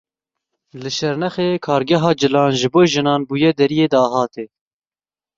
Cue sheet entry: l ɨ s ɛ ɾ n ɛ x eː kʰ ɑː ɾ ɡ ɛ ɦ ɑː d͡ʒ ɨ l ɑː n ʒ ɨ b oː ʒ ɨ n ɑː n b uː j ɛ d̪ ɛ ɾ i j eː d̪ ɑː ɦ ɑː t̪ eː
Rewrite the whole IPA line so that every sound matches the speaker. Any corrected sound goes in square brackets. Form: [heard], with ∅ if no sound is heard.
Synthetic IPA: l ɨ [ʃ] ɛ ɾ n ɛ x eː kʰ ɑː ɾ ɡ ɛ ɦ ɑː d͡ʒ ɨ l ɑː n ʒ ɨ b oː ʒ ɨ n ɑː n b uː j ɛ d̪ ɛ ɾ i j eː d̪ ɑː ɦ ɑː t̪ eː

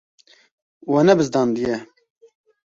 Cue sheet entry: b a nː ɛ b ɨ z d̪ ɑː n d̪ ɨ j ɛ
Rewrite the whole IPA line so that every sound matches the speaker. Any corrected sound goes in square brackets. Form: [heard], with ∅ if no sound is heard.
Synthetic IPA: [w] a [n] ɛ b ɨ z d̪ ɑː n d̪ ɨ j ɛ

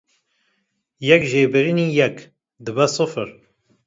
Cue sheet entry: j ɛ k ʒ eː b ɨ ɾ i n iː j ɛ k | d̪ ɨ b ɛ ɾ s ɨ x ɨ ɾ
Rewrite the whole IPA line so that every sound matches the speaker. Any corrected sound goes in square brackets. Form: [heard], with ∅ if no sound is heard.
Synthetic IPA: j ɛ k ʒ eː b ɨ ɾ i n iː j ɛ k | d̪ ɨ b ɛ [∅] s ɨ [f] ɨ ɾ

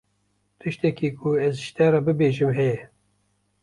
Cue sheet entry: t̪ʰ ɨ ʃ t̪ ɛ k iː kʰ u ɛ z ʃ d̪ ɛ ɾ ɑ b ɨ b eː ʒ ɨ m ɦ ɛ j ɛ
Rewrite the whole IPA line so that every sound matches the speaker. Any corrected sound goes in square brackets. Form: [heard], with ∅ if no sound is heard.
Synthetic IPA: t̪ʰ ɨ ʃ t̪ ɛ k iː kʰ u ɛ z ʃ [t̪] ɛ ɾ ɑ b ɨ b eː ʒ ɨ m ɦ ɛ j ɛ

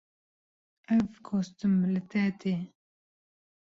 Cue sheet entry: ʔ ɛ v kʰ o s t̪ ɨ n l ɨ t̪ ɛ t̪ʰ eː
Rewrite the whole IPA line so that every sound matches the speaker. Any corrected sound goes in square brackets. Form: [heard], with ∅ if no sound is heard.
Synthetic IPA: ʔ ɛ v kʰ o s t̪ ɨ [m] l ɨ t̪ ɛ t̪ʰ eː

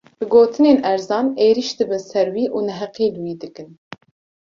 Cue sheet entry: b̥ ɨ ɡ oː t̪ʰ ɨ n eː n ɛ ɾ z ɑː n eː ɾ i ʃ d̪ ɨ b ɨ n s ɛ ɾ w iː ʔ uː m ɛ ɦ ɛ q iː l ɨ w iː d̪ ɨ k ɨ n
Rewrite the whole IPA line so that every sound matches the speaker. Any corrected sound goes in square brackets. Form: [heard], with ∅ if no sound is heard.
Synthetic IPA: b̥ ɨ ɡ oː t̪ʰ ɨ n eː n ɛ ɾ z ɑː n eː ɾ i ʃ d̪ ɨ b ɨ n s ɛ ɾ w iː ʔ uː [n] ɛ ɦ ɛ q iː l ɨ w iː d̪ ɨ k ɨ n

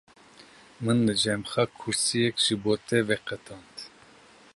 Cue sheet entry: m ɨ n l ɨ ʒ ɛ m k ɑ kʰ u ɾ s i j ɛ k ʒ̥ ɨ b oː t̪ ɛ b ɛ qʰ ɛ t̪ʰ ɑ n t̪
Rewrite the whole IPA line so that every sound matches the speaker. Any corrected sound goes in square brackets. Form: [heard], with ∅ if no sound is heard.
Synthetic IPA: m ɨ n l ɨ [d͡ʒ] ɛ m [x] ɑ kʰ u ɾ s i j ɛ k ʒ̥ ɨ b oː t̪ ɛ [v] ɛ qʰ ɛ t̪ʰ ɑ n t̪

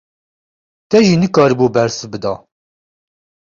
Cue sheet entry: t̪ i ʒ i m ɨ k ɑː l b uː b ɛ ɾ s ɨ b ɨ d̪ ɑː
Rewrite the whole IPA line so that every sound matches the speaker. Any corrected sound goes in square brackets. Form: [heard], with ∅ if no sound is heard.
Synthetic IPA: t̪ [ɛ] ʒ i [n] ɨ k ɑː [ɾ] b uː b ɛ ɾ s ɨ b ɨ d̪ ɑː

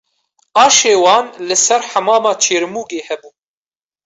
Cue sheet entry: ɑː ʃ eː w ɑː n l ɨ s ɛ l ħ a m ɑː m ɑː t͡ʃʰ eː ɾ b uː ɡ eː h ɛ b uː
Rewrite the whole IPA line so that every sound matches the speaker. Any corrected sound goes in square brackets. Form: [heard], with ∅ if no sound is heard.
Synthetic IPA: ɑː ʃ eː w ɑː n l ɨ s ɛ [ɾ] ħ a m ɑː m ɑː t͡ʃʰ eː ɾ [m] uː ɡ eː h ɛ b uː

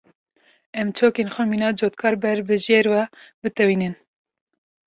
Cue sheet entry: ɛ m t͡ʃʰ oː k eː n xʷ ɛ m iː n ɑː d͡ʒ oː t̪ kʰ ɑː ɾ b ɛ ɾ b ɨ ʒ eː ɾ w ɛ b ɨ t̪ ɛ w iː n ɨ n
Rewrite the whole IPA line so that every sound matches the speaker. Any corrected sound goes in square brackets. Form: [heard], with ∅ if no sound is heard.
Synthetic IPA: ɛ m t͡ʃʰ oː k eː n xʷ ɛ m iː n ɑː d͡ʒ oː t̪ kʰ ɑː ɾ b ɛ ɾ b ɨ ʒ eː ɾ w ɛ b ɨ t̪ ɛ w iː n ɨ n

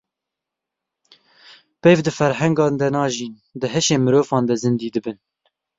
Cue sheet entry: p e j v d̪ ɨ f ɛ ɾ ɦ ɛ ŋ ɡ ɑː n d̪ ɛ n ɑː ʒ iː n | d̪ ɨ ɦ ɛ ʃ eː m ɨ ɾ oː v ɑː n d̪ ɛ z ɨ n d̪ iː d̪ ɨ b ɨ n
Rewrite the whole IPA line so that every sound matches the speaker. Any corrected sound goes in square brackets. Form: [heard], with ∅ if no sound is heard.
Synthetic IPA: p e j v d̪ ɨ f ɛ ɾ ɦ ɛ ŋ ɡ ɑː n d̪ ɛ n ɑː ʒ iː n | d̪ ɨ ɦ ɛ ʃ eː m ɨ ɾ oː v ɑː n d̪ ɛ z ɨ n d̪ iː d̪ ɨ b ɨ n

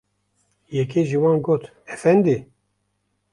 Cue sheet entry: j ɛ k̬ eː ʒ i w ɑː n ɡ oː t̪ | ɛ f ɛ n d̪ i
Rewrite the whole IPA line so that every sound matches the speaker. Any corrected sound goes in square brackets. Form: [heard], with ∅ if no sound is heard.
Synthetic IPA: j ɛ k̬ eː ʒ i w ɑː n ɡ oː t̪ | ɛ f ɛ n d̪ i

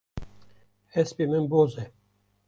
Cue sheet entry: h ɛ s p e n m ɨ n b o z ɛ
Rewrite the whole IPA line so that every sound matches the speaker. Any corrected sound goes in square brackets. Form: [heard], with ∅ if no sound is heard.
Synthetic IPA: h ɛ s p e [∅] m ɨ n b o z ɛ

